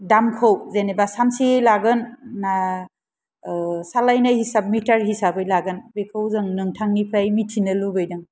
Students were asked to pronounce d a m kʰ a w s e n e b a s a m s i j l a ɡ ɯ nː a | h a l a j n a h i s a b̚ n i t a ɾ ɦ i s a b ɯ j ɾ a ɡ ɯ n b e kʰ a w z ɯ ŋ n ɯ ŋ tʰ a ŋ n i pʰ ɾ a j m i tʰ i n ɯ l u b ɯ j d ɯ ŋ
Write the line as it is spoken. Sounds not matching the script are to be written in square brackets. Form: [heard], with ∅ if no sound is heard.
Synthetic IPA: d a m kʰ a w [z] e n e b a s a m s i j l a ɡ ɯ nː a | [s] a l a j n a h i s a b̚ [m] i t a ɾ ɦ i s a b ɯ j [l] a ɡ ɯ n b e kʰ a w z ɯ ŋ n ɯ ŋ tʰ a ŋ n i pʰ ɾ a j m i tʰ i n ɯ l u b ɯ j d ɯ ŋ